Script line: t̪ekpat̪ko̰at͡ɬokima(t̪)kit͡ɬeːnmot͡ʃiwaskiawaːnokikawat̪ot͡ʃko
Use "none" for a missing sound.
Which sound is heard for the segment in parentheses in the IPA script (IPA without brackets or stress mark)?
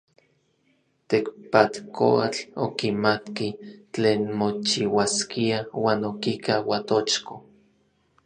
t̪